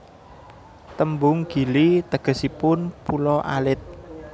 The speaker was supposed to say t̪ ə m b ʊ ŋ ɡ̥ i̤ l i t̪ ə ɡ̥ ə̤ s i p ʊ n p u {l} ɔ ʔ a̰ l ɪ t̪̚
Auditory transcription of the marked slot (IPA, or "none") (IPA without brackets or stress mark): l